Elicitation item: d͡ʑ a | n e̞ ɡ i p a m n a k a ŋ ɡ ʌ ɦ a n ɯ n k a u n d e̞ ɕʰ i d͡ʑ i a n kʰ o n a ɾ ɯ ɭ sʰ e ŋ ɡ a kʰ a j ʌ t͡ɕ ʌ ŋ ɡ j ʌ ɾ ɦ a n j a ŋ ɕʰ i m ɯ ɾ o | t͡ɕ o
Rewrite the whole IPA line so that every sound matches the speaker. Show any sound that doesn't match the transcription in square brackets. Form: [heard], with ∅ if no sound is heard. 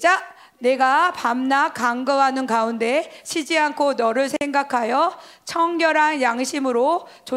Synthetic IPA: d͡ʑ a | n e̞ ɡ [a] p a m n a k a ŋ ɡ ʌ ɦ a n ɯ n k a u n d e̞ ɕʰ i d͡ʑ i a n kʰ o n [ʌ] ɾ ɯ ɭ sʰ e ŋ ɡ a kʰ a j ʌ [t͡ɕʰ] ʌ ŋ ɡ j ʌ ɾ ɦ a n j a ŋ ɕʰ i m ɯ ɾ o | t͡ɕ o